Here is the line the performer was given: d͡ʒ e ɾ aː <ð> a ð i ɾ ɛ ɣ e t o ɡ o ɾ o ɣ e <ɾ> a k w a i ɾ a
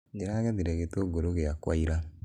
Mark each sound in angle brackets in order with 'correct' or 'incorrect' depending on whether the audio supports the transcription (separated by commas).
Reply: incorrect, incorrect